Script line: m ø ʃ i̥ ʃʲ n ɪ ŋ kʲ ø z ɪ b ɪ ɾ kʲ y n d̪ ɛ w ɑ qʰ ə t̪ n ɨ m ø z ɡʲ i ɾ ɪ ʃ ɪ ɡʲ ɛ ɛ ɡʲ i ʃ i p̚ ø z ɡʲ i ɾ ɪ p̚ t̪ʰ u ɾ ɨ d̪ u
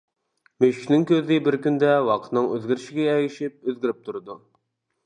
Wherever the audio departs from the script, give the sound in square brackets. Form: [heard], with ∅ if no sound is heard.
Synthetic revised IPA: m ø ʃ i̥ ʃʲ n ɪ ŋ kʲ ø z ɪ b ɪ ɾ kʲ y n d̪ ɛ w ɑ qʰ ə t̪ n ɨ [ŋ] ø z ɡʲ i ɾ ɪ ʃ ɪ ɡʲ ɛ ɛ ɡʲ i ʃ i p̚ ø z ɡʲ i ɾ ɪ p̚ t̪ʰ u ɾ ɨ d̪ u